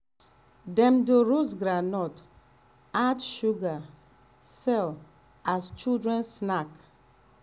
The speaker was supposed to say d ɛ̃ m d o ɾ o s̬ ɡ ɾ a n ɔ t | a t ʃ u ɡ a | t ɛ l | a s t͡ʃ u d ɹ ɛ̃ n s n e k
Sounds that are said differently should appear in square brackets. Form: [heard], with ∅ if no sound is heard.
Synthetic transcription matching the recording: d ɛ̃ m d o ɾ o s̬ ɡ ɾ a n ɔ t | a t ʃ u ɡ a | [s] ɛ l | a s t͡ʃ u d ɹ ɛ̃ n s n [a] k